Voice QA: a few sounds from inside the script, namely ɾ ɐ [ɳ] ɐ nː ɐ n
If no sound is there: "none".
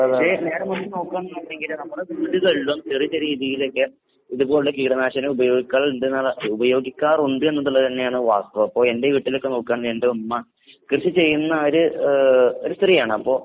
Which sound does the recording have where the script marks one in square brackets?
m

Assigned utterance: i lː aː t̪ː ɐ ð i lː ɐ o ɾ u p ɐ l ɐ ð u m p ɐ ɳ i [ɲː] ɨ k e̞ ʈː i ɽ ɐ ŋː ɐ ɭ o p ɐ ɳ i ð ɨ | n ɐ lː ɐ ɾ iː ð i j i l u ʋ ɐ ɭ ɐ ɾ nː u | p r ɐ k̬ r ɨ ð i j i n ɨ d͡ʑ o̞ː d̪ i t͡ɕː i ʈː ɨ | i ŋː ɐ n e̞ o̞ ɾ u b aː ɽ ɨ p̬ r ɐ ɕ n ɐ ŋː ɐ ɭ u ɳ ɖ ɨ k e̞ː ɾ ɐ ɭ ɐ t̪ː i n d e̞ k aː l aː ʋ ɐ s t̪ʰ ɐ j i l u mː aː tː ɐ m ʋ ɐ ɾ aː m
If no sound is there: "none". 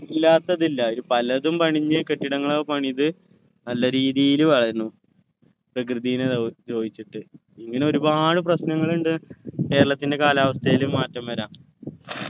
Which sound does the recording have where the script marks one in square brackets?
ɲː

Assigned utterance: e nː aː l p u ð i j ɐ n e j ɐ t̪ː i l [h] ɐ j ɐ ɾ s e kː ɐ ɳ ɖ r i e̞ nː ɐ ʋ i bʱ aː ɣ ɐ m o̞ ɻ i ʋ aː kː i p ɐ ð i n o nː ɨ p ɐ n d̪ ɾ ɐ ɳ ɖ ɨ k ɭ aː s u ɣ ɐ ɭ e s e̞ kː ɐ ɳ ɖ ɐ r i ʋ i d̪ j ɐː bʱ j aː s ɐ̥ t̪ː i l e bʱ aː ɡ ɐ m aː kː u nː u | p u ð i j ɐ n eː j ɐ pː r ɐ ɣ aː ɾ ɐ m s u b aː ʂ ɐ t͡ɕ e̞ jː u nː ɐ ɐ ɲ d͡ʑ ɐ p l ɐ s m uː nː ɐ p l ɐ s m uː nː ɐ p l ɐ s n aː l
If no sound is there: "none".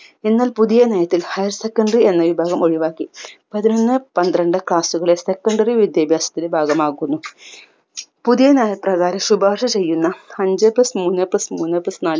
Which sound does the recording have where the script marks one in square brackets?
h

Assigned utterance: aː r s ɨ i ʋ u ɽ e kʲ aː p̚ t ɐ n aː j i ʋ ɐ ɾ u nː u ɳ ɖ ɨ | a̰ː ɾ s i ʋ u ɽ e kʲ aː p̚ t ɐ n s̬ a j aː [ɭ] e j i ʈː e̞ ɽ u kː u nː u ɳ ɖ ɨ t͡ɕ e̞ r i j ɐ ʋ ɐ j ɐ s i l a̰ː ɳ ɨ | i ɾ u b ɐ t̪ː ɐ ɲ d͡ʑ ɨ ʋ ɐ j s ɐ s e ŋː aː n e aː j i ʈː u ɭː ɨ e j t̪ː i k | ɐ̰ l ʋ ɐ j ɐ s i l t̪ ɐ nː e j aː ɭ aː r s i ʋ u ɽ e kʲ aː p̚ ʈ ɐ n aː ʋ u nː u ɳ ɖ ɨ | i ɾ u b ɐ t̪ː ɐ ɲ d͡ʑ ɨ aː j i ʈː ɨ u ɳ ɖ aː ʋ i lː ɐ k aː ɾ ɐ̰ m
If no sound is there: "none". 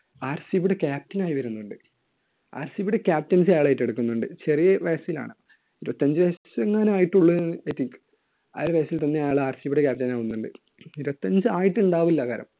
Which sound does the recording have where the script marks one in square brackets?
ɭ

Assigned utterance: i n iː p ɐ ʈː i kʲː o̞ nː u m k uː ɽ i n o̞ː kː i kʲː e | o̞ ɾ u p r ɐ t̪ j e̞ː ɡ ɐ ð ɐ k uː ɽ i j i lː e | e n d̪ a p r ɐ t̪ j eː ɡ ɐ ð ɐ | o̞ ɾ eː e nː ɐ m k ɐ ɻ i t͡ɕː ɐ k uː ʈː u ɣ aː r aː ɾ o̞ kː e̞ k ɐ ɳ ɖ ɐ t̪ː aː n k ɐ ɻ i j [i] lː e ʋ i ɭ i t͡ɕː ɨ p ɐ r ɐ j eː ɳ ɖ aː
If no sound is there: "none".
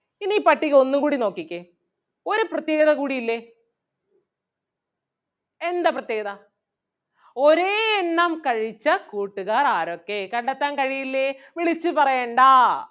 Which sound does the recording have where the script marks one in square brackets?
i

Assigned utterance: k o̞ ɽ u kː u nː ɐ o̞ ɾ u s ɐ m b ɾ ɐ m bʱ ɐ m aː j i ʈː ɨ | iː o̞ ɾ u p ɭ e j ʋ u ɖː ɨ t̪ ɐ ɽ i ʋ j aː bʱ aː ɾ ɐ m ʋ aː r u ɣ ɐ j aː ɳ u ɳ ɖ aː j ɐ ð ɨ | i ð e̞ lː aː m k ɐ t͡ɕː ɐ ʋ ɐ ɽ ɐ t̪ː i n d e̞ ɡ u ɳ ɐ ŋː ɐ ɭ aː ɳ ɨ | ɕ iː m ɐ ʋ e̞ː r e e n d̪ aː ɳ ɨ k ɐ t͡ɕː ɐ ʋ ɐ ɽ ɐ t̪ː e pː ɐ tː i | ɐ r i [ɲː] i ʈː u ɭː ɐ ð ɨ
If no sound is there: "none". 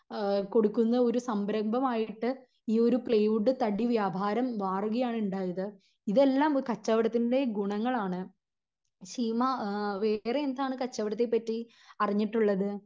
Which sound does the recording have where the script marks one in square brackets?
ɲː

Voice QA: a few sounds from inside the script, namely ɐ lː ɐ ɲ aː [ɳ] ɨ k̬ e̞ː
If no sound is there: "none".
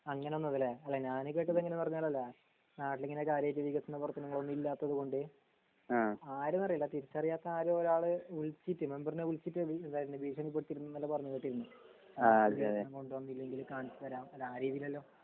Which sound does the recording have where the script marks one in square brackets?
n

